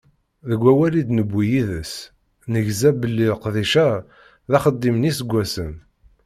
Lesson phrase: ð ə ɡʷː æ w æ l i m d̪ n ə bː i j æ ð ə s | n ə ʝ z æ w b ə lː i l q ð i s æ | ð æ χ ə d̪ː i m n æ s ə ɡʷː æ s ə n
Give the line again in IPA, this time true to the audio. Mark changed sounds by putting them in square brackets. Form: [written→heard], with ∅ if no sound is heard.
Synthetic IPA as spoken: ð ə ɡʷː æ w æ l i [m→∅] d̪ n ə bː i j [æ→i] ð ə s | n ə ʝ z æ [w→∅] b ə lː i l q ð i [s→ʃ] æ | ð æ χ ə d̪ː i m n [æ→i] s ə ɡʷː æ s ə n